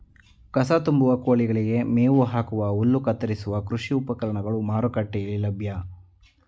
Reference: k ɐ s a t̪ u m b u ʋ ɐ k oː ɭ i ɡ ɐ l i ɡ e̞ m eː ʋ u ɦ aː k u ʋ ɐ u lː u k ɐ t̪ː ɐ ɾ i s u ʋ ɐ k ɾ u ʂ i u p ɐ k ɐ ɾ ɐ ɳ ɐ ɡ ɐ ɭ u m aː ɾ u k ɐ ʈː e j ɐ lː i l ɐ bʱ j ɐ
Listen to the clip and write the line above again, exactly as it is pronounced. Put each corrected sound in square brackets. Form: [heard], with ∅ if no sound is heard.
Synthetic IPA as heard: k ɐ s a t̪ u m b u ʋ ɐ k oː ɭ i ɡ ɐ [ɭ] i ɡ e̞ m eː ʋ u ɦ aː k u ʋ ɐ u lː u k ɐ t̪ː ɐ ɾ i s u ʋ ɐ k ɾ u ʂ i u p ɐ k ɐ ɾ ɐ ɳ ɐ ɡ ɐ ɭ u m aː ɾ u k ɐ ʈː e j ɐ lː i l ɐ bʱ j ɐ

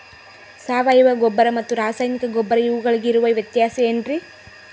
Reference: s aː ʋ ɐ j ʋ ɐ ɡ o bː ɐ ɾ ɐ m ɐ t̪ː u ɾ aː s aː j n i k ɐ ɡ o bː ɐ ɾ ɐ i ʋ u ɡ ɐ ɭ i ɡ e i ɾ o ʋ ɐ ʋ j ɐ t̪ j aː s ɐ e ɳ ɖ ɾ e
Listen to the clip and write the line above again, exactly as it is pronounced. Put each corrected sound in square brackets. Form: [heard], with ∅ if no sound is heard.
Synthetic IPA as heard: s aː ʋ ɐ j ʋ ɐ ɡ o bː ɐ ɾ ɐ m ɐ t̪ː u ɾ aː s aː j n i k ɐ ɡ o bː ɐ ɾ ɐ i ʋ u ɡ ɐ ɭ i ɡ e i ɾ [u] ʋ ɐ ʋ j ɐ t̪ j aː s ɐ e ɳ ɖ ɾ [i]

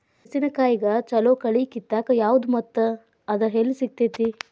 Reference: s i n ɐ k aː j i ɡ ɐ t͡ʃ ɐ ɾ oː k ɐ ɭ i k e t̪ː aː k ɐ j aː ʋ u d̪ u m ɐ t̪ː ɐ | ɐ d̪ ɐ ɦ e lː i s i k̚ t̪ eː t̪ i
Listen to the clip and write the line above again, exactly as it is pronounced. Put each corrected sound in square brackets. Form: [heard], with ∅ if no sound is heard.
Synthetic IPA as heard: s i n ɐ k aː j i ɡ ɐ t͡ʃ ɐ [l] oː k ɐ ɭ i k [i] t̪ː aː k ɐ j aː ʋ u d̪ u m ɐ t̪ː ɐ | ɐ d̪ ɐ ɦ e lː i s i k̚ t̪ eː t̪ i

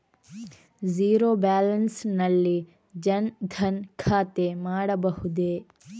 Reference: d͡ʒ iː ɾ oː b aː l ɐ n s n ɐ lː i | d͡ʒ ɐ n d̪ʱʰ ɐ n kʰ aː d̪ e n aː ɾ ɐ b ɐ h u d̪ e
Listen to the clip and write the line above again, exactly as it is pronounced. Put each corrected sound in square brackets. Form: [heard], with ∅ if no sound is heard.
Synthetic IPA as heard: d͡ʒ iː ɾ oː b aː l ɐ n s n ɐ lː i | d͡ʒ ɐ n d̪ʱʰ ɐ n kʰ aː [t̪] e [m] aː [ɽ] ɐ b ɐ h u d̪ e

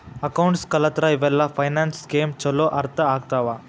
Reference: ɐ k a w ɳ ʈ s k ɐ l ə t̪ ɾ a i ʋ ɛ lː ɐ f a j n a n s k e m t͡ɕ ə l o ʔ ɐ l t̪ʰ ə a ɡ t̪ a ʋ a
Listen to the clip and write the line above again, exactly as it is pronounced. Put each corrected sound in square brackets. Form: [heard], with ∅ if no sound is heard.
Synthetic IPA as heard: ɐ k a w ɳ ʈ s k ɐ l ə t̪ ɾ a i ʋ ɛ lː [a] f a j n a n s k e m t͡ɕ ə l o ʔ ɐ [ɾ] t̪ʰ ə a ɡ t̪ a ʋ a

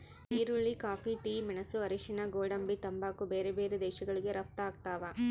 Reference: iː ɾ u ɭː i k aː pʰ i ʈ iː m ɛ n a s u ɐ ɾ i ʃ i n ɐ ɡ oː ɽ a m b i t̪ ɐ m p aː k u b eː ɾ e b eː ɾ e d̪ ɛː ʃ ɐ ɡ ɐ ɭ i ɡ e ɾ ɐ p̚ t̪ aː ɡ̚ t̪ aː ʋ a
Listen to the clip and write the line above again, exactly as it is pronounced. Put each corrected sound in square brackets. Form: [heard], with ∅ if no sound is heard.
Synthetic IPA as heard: iː ɾ u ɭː i k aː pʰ i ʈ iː m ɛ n [ɐ] s u ɐ ɾ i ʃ i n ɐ ɡ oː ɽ [ɐ] m b i t̪ ɐ m [b] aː k u b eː ɾ e b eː ɾ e d̪ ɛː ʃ ɐ ɡ ɐ ɭ i ɡ e ɾ ɐ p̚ t̪ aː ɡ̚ t̪ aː ʋ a

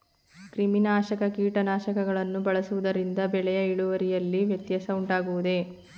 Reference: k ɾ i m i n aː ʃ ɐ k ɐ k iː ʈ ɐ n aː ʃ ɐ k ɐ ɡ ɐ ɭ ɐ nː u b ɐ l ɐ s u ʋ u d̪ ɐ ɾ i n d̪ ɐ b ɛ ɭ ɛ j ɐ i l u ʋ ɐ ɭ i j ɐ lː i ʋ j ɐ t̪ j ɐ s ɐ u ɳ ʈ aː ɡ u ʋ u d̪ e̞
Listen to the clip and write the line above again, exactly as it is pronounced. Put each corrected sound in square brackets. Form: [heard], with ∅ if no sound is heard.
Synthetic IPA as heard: k ɾ i m i n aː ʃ ɐ k ɐ k iː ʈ ɐ n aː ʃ ɐ k ɐ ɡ ɐ ɭ ɐ nː u b ɐ [ɭ] ɐ s u ʋ u d̪ ɐ ɾ i n d̪ ɐ b ɛ ɭ ɛ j ɐ i [ɭ] u ʋ ɐ [ɾ] i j ɐ lː i ʋ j ɐ t̪ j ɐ s ɐ u ɳ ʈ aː ɡ u ʋ u d̪ e̞

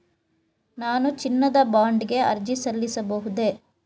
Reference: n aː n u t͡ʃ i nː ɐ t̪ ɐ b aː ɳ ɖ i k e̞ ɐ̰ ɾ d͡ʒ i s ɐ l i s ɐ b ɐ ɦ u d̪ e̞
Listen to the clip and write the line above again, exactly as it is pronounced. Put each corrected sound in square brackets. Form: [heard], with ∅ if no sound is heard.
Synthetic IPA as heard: n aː n u t͡ʃ i nː ɐ [d̪] ɐ b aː ɳ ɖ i [ɡ] e̞ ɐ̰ ɾ d͡ʒ i s ɐ [lː] i s ɐ b ɐ ɦ u d̪ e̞

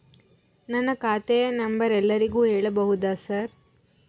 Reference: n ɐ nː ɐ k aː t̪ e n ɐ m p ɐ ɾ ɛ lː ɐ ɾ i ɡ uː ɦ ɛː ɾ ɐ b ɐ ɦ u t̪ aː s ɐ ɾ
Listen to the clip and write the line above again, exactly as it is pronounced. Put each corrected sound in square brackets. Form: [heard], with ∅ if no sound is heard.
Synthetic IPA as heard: n ɐ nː ɐ k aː t̪ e n ɐ m [b] ɐ ɾ ɛ lː ɐ ɾ i ɡ uː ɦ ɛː [ɭ] ɐ b ɐ ɦ u [d̪] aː s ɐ ɾ

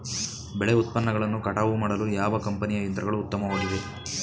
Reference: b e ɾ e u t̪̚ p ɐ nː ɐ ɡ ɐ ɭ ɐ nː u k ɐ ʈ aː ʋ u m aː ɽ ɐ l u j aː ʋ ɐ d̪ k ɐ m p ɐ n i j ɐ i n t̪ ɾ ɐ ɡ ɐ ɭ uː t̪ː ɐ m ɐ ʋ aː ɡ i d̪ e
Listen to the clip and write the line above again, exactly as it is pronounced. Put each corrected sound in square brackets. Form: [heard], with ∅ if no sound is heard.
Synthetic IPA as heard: b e [ɭ] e u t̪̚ p ɐ nː ɐ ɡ ɐ ɭ ɐ nː u k ɐ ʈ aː ʋ u m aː ɽ ɐ l u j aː ʋ ɐ [∅] k ɐ m p ɐ n i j ɐ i n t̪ ɾ ɐ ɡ ɐ ɭ uː t̪ː ɐ m ɐ ʋ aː ɡ i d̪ e

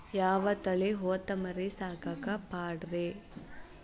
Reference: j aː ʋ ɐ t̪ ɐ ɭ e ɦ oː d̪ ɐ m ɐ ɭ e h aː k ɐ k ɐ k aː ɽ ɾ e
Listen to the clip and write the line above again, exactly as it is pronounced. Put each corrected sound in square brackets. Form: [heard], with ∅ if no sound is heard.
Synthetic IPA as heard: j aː ʋ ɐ t̪ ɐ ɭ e ɦ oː [t̪] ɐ m ɐ [ɾ] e [s] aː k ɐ k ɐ [p] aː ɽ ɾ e

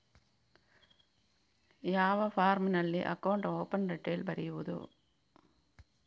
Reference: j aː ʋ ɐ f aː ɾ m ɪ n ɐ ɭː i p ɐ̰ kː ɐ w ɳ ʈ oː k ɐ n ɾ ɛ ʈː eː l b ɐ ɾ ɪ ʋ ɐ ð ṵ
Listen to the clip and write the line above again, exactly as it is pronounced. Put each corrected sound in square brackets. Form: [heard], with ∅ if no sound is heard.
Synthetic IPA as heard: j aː ʋ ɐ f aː ɾ m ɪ n ɐ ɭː i [ʔ] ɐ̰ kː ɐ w ɳ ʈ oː [p] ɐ n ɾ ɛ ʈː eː l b ɐ ɾ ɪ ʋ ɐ ð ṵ

